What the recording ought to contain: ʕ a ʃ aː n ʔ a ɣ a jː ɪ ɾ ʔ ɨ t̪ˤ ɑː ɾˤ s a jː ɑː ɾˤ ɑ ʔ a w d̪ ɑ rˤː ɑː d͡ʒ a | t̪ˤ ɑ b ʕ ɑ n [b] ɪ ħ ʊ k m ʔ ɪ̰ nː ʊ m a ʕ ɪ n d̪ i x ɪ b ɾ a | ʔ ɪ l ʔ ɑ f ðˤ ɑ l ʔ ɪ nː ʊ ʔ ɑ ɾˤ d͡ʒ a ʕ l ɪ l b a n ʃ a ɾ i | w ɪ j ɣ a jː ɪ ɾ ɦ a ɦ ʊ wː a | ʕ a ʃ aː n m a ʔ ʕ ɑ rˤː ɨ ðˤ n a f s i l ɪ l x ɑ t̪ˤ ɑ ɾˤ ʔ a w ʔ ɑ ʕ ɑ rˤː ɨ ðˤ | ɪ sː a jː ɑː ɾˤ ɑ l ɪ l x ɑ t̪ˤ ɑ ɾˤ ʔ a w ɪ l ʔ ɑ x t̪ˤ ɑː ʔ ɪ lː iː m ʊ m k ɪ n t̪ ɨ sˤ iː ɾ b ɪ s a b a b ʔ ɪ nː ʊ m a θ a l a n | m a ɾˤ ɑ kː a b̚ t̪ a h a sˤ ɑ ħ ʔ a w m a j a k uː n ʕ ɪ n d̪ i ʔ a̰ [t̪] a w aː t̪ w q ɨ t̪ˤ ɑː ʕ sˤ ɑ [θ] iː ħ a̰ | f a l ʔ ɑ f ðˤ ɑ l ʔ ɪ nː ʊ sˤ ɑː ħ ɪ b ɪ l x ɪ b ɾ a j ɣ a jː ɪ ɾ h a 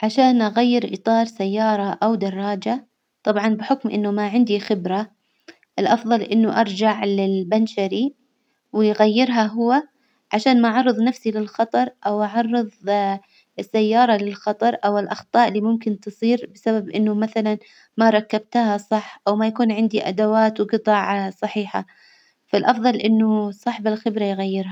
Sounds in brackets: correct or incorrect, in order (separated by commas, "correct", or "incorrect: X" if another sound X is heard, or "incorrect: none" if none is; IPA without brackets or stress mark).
correct, incorrect: d̪, incorrect: ħ